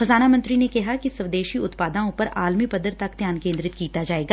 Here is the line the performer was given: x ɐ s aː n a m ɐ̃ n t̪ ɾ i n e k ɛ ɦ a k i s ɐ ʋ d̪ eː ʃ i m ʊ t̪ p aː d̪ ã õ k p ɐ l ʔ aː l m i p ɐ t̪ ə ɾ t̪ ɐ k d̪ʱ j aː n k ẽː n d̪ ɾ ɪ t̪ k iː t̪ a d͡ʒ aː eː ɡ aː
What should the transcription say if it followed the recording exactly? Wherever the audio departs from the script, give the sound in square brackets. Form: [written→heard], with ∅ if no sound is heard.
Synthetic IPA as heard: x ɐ [s→z] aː n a m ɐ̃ n t̪ ɾ i n e k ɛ ɦ a k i s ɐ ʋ d̪ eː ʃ i [m→∅] ʊ t̪ p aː d̪ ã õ [k→∅] p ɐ [l→ɾ] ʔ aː l m i p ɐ [t̪→d̪] ə ɾ t̪ ɐ k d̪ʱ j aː n k ẽː n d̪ ɾ ɪ t̪ k iː t̪ a d͡ʒ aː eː ɡ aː

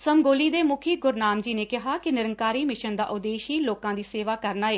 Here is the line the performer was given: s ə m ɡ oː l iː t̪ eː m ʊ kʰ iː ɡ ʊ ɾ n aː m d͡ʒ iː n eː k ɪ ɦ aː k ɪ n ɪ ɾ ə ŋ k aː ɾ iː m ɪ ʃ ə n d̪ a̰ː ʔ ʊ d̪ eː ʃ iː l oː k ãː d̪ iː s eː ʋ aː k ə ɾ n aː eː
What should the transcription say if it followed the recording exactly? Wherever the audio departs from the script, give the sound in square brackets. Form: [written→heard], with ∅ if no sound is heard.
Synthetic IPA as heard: s ə m ɡ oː l iː [t̪→d̪] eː m ʊ kʰ iː ɡ ʊ ɾ n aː m d͡ʒ iː n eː k ɪ ɦ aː k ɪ n ɪ ɾ ə ŋ k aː ɾ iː m ɪ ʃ ə n d̪ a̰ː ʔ ʊ d̪ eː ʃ iː l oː k ãː d̪ iː s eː ʋ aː k ə ɾ n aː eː

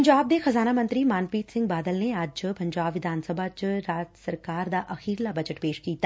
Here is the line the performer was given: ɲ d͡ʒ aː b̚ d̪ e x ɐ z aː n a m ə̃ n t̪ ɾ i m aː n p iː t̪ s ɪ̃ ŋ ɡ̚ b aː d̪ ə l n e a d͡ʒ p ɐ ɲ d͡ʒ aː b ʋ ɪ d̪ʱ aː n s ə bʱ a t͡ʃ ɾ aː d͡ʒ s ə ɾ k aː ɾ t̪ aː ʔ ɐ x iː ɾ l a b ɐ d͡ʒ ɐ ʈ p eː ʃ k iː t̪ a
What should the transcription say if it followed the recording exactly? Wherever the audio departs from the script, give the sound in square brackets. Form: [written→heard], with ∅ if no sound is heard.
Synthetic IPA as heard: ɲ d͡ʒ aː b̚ d̪ e x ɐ z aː n a m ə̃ n t̪ ɾ i m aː n p iː t̪ s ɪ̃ ŋ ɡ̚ b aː d̪ ə l n e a d͡ʒ p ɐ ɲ d͡ʒ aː b ʋ ɪ d̪ʱ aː n s ə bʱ a t͡ʃ ɾ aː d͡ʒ s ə ɾ k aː ɾ [t̪→d̪] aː ʔ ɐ x iː ɾ l a b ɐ d͡ʒ [ɐ→ə] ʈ p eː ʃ k iː t̪ a

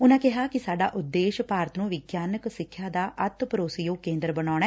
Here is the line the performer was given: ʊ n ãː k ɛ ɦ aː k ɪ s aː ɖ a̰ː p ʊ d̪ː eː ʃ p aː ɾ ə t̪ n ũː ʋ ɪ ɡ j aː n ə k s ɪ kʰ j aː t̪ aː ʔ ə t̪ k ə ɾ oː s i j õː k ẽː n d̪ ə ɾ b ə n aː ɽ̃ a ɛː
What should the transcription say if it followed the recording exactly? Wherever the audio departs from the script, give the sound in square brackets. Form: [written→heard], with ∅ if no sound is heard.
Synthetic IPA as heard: ʊ n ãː k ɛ ɦ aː k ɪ s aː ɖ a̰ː [p→ʔ] ʊ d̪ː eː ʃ p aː ɾ ə t̪ n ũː ʋ ɪ ɡ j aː n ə k s ɪ kʰ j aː [t̪→d̪] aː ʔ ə t̪ [k→p] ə ɾ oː s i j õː k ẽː n d̪ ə ɾ b ə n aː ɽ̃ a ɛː

